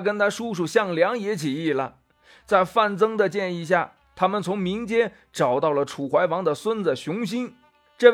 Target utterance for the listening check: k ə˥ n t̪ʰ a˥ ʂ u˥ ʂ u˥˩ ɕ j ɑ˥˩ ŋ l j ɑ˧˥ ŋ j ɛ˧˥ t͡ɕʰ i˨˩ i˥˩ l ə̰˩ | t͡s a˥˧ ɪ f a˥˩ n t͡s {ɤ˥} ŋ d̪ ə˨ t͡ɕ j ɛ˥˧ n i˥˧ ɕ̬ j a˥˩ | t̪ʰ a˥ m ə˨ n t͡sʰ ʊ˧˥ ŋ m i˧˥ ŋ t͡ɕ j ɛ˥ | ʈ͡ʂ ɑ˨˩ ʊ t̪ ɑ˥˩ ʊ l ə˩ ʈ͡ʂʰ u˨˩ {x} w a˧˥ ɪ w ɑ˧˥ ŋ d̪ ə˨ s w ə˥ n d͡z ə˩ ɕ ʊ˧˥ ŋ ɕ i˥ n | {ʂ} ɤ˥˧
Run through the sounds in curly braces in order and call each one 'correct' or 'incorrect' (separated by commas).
correct, correct, incorrect